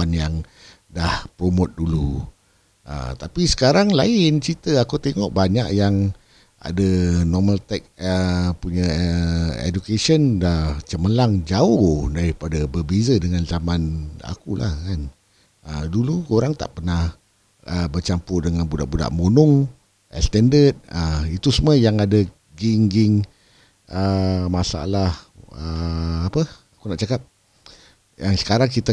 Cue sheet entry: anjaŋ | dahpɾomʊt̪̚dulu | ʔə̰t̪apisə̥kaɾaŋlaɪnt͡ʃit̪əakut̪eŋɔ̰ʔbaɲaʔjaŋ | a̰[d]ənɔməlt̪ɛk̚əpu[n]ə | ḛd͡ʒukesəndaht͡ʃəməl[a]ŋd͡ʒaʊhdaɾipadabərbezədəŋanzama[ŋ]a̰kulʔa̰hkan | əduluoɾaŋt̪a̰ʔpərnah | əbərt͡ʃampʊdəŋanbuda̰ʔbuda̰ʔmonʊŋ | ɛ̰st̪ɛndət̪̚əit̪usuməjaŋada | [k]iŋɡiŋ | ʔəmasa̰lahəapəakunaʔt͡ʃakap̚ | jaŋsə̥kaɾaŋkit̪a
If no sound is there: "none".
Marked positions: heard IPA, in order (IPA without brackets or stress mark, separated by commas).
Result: d, ɲ, a, n, ɡ